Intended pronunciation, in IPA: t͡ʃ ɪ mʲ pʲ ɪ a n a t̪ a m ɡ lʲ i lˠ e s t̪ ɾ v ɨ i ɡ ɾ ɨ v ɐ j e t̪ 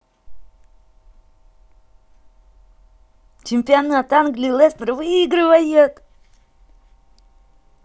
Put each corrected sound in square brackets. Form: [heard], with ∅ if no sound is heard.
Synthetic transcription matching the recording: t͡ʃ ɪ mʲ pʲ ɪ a n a t̪ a [n] ɡ lʲ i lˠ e s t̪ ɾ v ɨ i ɡ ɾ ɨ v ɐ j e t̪